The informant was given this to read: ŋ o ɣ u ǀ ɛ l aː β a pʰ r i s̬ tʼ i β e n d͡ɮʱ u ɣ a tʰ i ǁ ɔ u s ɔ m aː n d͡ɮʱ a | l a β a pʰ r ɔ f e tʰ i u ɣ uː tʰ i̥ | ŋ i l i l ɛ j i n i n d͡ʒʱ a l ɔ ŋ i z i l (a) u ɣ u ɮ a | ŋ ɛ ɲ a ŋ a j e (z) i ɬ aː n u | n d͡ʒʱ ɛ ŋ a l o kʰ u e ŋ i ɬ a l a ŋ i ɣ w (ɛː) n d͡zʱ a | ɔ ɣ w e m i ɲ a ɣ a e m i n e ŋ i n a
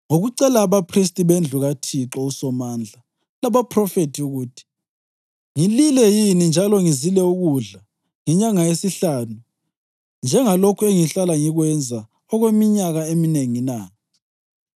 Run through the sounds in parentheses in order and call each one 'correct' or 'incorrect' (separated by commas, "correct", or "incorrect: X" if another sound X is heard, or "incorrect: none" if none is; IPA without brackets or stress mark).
incorrect: ɛ, incorrect: s, incorrect: ɛ